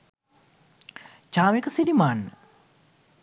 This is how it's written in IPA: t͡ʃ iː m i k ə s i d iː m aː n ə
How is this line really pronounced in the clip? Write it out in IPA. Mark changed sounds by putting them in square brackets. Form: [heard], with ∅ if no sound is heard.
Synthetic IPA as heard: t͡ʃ [aː] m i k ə s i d [i] m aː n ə